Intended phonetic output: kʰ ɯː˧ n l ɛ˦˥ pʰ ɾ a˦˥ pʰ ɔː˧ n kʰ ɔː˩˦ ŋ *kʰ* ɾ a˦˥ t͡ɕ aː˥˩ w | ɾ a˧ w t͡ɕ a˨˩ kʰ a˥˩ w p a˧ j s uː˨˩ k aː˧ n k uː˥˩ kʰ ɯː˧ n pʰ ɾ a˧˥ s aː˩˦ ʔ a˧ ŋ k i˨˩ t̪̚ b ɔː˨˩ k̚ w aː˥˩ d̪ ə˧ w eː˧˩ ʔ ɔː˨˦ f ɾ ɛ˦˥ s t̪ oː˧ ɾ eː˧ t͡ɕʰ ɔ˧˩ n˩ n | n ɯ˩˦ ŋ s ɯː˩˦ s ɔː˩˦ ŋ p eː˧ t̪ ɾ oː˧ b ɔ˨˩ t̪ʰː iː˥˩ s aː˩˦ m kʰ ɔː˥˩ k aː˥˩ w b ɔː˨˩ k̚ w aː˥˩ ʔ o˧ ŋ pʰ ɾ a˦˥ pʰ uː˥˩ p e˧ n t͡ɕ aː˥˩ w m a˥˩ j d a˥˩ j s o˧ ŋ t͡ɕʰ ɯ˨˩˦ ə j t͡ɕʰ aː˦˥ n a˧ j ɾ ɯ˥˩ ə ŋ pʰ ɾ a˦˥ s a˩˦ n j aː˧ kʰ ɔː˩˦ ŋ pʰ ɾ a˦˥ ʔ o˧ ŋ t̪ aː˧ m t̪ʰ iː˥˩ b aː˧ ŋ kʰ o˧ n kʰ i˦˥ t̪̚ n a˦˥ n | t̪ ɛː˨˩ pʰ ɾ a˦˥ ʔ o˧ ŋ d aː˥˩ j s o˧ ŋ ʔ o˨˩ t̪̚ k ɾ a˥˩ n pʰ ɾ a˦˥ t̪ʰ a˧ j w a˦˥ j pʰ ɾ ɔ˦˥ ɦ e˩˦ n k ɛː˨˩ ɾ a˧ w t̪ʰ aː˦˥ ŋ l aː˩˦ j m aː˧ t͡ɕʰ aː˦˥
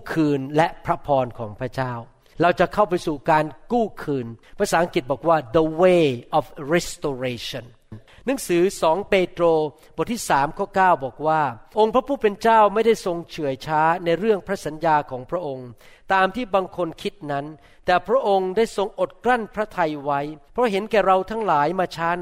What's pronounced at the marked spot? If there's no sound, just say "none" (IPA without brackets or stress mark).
pʰ